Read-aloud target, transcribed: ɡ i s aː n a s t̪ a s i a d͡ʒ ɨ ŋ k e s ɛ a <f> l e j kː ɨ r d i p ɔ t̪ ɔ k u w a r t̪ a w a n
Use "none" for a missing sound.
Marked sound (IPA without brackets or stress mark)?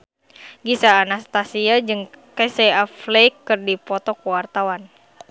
f